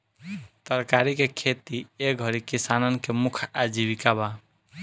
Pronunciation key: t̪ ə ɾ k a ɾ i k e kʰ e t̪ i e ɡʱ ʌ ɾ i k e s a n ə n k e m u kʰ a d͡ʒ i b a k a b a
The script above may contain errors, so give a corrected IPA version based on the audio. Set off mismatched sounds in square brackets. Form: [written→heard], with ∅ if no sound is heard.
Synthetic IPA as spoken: t̪ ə ɾ k a ɾ i k e kʰ e t̪ i e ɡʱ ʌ ɾ i k [e→i] s a n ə n k e m u kʰ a d͡ʒ i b [a→i] k a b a